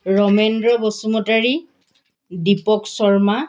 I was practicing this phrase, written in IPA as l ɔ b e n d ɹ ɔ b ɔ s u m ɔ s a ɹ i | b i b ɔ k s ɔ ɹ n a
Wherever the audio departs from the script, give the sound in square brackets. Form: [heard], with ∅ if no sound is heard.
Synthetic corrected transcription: [ɹ] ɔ [m] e n d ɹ ɔ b ɔ s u m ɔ [t] a ɹ i | [d] i [p] ɔ k s ɔ ɹ [m] a